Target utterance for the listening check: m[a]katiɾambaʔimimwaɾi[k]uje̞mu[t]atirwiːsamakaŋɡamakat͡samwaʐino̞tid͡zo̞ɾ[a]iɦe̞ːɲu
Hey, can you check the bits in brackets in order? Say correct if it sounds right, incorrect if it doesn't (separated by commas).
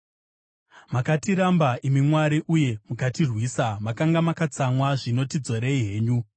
correct, incorrect, incorrect, incorrect